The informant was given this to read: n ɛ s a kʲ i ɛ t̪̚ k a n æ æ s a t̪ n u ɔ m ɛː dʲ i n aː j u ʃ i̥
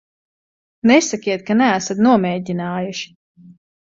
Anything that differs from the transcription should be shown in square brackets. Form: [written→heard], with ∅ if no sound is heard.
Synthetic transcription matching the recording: n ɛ s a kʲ i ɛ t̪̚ k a n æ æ s a t̪ n u ɔ m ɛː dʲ i n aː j u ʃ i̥